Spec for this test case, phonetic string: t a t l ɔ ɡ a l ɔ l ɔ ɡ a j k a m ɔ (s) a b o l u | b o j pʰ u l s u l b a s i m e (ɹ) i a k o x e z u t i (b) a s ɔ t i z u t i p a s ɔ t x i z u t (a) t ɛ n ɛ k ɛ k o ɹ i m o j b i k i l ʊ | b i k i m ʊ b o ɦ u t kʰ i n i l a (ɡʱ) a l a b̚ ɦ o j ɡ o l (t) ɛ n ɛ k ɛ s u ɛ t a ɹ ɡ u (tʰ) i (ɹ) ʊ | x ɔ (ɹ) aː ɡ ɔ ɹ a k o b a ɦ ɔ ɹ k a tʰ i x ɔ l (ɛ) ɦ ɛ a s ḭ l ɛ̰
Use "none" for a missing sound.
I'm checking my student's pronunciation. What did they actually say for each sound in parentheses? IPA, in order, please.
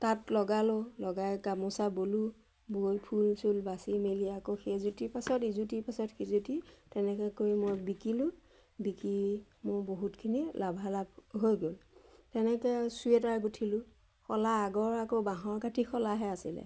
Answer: s, l, p, i, bʱ, t, tʰ, l, l, a

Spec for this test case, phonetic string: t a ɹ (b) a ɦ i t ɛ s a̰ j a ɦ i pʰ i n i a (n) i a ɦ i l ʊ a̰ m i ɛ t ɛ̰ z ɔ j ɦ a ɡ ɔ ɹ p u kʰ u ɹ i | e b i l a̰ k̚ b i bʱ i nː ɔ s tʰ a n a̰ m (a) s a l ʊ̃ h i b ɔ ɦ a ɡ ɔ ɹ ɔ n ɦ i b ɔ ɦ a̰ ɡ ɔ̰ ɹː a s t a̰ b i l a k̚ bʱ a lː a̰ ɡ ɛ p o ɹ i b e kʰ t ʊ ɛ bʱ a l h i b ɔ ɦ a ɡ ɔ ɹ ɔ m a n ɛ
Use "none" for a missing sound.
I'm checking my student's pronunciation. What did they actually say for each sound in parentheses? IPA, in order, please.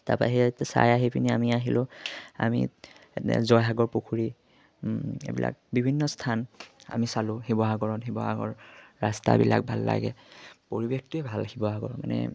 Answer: p, m, i

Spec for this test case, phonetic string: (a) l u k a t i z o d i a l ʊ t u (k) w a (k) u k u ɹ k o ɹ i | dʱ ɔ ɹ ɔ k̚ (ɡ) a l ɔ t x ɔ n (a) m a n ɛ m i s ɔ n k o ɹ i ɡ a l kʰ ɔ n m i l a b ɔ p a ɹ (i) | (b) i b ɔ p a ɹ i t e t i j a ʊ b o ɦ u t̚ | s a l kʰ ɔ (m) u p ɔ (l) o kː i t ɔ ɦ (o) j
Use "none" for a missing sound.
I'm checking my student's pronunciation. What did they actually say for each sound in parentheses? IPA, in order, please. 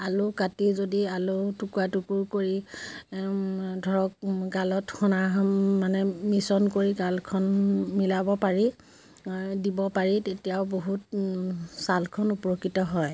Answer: a, k, t, ɡ, a, i, d, n, ɹ, ɔ

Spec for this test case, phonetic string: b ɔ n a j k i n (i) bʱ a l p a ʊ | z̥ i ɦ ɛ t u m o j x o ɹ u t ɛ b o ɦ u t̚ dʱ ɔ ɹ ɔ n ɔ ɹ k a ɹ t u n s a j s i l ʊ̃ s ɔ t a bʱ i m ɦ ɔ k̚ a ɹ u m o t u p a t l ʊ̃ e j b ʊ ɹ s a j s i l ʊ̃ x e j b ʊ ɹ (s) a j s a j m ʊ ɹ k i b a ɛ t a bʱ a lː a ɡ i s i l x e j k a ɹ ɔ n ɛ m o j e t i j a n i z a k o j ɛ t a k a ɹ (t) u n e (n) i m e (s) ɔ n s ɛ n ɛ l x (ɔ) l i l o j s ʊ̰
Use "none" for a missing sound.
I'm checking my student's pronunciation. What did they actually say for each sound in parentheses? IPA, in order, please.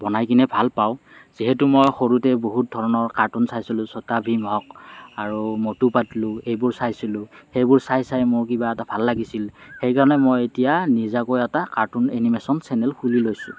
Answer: ɛ, s, t, n, s, u

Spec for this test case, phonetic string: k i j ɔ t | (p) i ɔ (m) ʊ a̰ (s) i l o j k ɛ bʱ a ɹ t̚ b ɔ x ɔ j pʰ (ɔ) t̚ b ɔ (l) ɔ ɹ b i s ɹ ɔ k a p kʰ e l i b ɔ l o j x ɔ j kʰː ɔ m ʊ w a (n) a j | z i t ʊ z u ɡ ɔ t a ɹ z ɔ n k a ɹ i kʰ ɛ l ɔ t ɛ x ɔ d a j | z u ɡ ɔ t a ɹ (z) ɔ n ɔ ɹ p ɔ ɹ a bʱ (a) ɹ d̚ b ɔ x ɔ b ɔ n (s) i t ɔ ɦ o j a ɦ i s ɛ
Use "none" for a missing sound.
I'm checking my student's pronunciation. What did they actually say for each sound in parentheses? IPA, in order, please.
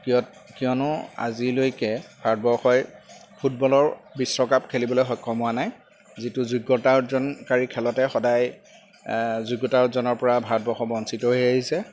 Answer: k, n, z, u, l, n, z, a, s

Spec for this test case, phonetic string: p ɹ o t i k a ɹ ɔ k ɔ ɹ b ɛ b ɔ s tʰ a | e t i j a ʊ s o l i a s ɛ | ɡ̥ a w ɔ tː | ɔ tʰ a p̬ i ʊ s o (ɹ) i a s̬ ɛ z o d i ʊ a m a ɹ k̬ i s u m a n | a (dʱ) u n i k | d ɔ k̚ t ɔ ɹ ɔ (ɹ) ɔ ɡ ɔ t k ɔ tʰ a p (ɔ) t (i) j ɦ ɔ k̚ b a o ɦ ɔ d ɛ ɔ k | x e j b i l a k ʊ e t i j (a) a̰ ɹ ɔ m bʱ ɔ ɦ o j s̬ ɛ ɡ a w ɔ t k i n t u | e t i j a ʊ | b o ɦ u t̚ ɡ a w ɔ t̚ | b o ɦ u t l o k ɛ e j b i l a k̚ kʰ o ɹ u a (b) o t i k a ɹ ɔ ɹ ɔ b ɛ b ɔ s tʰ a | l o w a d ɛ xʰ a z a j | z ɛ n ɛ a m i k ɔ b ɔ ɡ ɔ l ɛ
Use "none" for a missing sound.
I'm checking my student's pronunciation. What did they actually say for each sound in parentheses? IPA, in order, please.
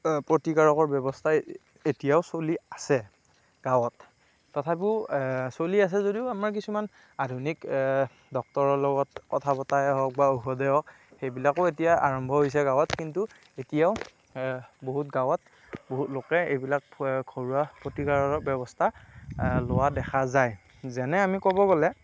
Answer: l, dʱ, l, ɔ, a, a, p

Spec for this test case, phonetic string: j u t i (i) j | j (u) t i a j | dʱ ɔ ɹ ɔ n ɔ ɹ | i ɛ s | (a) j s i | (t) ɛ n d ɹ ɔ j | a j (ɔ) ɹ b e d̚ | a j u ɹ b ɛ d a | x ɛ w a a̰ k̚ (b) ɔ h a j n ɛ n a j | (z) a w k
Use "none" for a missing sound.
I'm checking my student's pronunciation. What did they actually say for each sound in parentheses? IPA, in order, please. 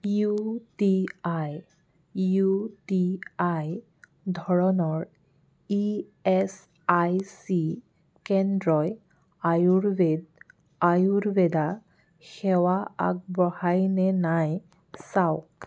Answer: a, u, a, k, u, b, s

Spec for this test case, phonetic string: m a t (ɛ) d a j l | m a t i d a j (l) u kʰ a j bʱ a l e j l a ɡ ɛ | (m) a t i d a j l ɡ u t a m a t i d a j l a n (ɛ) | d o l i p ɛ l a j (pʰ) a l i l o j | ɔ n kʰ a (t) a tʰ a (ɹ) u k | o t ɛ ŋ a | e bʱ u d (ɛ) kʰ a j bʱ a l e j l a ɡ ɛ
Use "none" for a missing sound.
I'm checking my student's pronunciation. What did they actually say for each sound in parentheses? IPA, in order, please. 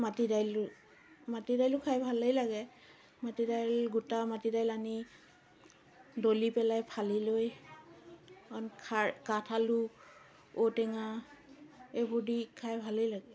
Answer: i, l, m, i, pʰ, k, l, i

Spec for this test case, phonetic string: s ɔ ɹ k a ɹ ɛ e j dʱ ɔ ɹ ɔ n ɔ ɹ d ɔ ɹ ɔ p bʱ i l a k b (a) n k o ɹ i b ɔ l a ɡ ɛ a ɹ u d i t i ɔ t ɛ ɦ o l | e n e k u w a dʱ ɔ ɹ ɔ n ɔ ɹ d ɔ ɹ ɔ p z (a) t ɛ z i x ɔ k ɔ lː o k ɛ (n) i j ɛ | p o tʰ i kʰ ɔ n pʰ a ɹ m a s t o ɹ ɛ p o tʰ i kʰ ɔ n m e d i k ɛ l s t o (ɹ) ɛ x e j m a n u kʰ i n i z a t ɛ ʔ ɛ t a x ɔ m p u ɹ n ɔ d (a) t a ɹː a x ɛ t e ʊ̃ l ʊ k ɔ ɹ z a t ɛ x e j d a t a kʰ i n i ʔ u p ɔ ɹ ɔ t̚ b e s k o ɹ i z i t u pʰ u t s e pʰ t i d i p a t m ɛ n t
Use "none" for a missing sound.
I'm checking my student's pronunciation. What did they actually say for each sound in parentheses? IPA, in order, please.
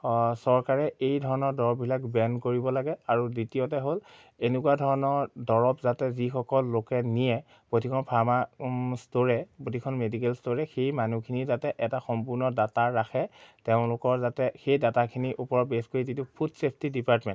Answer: ɛ, a, n, ɹ, a

